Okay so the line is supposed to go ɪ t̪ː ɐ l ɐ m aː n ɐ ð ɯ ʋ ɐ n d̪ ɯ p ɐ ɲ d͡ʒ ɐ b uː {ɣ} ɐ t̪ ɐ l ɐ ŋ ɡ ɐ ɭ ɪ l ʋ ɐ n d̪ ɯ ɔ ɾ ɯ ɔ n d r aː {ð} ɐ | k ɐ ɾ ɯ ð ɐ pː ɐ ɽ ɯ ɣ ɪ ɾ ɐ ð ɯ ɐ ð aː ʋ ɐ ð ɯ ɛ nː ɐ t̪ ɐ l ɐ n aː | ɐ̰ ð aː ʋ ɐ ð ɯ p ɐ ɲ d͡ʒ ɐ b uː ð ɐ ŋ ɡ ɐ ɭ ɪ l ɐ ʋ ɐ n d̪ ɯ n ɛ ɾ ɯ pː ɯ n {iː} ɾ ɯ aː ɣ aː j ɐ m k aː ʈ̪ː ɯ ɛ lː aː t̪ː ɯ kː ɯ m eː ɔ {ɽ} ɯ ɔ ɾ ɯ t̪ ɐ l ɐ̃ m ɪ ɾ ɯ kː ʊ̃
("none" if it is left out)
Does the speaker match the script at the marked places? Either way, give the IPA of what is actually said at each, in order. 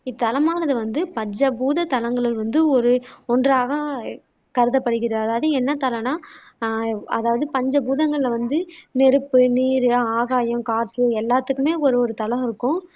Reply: ð, ɣ, iː, ɾ

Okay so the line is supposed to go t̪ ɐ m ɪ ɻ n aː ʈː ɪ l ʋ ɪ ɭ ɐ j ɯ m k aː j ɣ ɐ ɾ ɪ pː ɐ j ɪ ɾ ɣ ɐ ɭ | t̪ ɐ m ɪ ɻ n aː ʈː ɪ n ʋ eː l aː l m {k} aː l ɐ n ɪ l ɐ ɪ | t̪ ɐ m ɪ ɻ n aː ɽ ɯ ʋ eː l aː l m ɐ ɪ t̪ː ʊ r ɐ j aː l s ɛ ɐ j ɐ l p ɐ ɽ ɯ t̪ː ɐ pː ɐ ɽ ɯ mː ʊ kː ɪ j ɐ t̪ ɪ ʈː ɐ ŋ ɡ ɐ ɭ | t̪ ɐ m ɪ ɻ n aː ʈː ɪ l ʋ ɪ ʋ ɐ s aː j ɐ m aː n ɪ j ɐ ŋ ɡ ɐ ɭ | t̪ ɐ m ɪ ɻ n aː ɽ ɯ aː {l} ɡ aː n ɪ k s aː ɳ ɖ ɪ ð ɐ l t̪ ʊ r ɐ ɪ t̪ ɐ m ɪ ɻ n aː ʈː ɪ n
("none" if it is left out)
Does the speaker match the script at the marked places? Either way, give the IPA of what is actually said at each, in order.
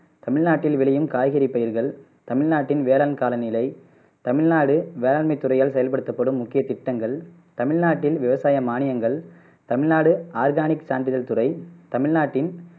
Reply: k, ɾ

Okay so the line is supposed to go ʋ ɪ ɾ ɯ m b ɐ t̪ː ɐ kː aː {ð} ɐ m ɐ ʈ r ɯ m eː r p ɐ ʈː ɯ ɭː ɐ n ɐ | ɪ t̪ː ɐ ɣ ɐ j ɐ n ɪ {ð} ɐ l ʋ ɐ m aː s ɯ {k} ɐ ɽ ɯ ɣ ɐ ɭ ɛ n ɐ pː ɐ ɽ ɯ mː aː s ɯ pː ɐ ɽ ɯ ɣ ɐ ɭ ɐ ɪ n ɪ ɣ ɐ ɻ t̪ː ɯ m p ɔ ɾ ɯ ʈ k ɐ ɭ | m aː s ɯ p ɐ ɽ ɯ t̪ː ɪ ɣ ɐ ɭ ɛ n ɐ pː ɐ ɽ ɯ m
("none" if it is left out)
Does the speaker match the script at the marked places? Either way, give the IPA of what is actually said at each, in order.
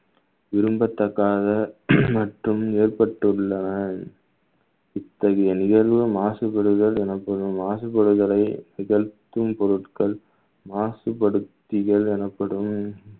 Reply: ð, ɣ, p

